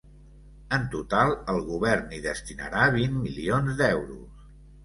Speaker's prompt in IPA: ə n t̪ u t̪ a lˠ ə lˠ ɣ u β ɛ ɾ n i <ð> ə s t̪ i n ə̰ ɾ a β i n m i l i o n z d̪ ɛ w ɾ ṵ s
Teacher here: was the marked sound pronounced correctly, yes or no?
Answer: yes